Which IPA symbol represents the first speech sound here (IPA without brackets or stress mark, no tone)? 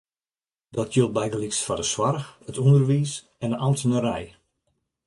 d